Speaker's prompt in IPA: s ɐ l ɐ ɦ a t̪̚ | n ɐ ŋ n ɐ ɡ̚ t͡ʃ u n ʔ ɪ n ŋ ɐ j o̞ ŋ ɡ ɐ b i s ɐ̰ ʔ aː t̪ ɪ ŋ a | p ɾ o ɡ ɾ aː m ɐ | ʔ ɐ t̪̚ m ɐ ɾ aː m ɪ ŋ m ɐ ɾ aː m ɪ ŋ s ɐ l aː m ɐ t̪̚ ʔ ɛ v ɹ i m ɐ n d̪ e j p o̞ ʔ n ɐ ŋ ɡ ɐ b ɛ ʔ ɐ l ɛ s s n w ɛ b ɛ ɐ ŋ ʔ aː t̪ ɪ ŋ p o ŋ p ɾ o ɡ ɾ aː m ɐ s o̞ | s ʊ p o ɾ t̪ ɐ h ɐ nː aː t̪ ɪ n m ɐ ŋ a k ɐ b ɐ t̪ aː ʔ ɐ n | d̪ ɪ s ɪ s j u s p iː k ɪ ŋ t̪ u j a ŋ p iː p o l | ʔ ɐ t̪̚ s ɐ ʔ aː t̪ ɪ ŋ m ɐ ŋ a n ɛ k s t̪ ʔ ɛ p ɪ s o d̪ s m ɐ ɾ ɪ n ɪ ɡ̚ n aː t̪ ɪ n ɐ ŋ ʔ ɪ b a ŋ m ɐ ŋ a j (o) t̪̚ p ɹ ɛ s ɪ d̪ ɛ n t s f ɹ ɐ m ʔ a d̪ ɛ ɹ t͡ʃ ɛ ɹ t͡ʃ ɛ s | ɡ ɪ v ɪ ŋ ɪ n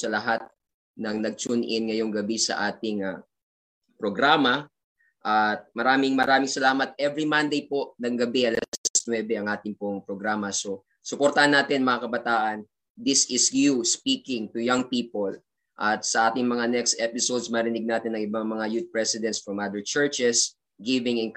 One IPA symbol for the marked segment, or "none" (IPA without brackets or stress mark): u